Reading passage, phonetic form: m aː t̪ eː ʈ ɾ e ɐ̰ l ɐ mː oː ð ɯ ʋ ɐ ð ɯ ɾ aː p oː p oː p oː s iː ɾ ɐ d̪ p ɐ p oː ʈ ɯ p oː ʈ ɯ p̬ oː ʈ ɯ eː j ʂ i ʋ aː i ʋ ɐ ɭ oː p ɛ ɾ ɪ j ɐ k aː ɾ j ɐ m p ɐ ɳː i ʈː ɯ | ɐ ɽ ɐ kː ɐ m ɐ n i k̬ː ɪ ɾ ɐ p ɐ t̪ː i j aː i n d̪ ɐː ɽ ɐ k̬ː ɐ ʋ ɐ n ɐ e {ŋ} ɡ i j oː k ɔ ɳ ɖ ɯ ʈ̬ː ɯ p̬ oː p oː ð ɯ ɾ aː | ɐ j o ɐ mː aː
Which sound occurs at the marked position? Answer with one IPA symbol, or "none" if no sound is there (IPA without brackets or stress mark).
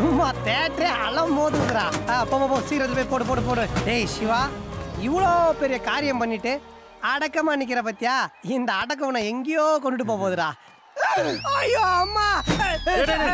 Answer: ŋ